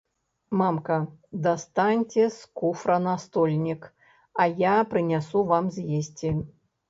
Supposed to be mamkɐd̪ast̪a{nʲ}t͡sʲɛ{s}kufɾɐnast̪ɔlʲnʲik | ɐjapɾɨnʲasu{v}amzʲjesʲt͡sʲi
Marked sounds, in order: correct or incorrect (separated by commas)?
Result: correct, correct, correct